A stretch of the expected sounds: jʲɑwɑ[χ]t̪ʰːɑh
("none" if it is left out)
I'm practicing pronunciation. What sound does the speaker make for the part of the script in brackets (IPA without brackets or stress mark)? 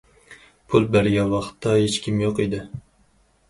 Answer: χ